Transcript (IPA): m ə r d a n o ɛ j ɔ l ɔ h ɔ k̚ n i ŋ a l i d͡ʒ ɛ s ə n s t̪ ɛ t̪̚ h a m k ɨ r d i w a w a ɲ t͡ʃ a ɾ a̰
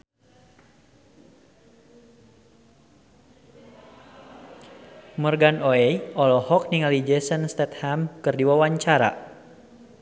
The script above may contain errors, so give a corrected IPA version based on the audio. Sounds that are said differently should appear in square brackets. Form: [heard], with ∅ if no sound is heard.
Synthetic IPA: m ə r [ɡ] a n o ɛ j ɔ l ɔ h ɔ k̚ n i ŋ a l i d͡ʒ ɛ s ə n s t̪ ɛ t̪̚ h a m k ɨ r d i w a w a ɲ t͡ʃ a ɾ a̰